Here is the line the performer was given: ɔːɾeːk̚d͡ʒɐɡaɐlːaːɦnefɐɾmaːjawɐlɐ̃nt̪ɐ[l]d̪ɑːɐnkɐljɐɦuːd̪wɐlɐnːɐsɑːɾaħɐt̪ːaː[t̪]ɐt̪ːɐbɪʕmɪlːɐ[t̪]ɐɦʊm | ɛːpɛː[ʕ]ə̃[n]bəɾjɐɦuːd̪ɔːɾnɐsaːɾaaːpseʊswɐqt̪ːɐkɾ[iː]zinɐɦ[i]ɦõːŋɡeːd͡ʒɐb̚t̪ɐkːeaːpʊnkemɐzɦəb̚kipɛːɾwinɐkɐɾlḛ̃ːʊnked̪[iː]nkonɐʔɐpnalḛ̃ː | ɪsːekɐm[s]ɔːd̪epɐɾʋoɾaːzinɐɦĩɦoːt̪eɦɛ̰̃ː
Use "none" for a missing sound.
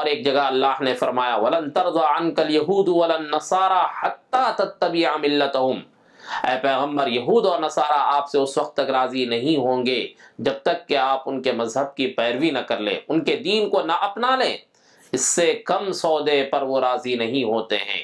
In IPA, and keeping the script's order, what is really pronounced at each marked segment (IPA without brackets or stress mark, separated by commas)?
ɾ, t̪, t̪, ɣ, m, aː, ĩ, iː, s